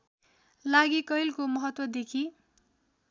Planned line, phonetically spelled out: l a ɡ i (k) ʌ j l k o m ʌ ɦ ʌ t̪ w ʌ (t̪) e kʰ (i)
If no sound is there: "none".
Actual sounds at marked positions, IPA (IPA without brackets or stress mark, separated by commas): k, d̪, i